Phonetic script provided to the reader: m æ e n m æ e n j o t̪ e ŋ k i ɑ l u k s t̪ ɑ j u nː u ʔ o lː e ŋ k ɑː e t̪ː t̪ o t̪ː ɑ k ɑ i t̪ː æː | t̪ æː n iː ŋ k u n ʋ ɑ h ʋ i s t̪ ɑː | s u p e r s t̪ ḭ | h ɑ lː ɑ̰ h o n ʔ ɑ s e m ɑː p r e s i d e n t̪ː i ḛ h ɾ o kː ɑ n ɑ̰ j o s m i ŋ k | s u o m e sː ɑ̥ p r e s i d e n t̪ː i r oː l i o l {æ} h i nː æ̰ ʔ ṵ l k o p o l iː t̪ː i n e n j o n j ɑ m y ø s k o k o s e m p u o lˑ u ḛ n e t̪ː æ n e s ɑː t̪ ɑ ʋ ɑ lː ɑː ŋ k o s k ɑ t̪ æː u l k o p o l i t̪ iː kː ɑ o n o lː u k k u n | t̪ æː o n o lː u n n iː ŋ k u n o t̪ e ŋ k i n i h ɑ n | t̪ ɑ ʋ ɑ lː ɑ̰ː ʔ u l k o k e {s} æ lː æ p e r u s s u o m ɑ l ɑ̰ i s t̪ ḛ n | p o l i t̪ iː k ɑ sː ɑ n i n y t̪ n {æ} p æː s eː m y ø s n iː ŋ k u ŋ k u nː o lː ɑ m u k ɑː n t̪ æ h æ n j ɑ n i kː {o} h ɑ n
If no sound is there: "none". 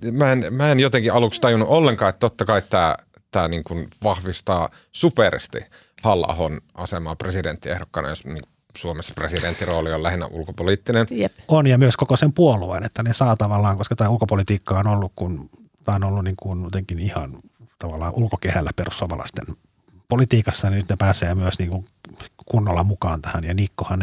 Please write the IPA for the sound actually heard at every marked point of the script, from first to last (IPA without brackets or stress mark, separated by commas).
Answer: æ, h, e, o